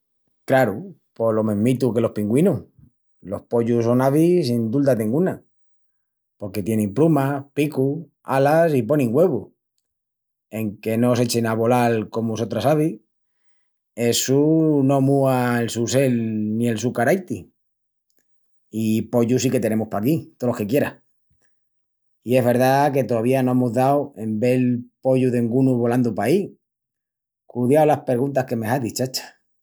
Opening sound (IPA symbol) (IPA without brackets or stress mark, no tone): k